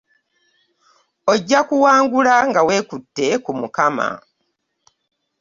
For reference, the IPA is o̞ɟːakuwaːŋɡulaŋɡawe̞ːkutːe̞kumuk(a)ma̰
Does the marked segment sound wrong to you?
no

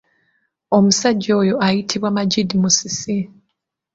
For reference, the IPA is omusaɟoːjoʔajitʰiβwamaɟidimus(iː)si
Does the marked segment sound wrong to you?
yes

